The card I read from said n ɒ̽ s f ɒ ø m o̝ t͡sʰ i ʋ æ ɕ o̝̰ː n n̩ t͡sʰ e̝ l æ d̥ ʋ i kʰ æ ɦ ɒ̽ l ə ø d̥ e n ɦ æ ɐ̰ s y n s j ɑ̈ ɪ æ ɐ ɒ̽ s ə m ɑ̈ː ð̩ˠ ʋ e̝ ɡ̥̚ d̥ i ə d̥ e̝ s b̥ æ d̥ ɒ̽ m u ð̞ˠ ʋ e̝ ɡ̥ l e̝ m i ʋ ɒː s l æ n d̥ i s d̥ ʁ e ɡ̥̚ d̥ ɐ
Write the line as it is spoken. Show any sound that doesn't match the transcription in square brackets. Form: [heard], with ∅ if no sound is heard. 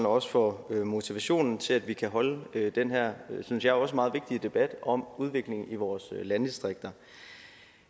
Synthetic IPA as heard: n ɒ̽ s f ɒ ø m o̝ t͡sʰ i ʋ æ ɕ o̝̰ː n n̩ t͡sʰ e̝ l æ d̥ ʋ i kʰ æ ɦ ɒ̽ l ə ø d̥ e n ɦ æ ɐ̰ s y n s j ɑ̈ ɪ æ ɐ ɒ̽ s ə m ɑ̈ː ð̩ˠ ʋ e̝ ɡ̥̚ d̥ i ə d̥ e̝ [∅] b̥ æ d̥ ɒ̽ m u ð̞ˠ ʋ e̝ ɡ̥ l e̝ [ŋ] i ʋ ɒː s l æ n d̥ i s d̥ ʁ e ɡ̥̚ d̥ ɐ